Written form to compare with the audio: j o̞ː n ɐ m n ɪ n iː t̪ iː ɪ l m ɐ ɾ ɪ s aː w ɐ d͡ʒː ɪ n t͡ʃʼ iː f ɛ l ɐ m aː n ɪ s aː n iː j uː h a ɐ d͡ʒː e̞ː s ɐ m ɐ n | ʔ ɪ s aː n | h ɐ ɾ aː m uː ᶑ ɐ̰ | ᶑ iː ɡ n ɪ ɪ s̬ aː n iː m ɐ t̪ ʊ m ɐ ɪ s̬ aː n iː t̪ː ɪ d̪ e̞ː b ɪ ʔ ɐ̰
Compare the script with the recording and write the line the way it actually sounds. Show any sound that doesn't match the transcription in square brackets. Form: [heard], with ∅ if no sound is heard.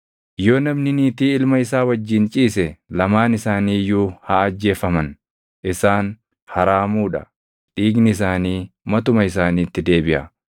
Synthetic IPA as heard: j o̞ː n ɐ m n ɪ n iː t̪ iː ɪ l m ɐ [∅] ɪ s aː w ɐ d͡ʒː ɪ n t͡ʃʼ iː [s] ɛ l ɐ m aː n ɪ s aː n iː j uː h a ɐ d͡ʒː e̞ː [f] ɐ m ɐ n | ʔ ɪ s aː n | h ɐ ɾ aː m uː ᶑ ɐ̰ | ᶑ iː ɡ n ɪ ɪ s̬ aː n iː m ɐ t̪ ʊ m ɐ ɪ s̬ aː n iː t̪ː ɪ d̪ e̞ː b ɪ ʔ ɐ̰